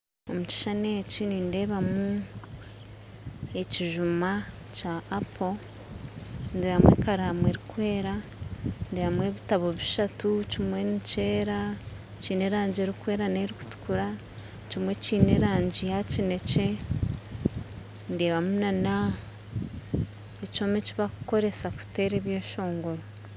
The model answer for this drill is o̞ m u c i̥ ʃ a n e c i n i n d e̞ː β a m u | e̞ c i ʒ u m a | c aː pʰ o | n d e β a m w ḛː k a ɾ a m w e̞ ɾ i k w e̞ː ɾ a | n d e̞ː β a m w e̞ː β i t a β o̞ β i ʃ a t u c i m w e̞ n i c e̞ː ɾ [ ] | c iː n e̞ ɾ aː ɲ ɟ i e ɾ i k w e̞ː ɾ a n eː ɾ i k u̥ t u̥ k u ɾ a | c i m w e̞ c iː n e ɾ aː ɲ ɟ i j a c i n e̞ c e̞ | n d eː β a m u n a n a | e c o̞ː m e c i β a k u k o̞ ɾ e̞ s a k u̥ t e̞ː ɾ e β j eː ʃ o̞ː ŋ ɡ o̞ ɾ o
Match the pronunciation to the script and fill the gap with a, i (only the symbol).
a